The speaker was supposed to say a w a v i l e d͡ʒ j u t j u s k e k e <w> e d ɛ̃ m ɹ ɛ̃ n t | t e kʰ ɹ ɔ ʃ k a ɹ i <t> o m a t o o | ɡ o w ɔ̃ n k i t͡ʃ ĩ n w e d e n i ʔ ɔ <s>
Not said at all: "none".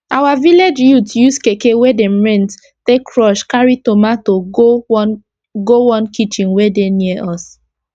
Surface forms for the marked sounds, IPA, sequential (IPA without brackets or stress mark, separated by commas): w, t, s